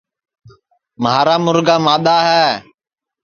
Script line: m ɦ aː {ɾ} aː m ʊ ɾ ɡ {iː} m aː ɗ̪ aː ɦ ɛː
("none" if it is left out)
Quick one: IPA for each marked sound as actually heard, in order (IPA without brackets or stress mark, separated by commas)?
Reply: ɾ, aː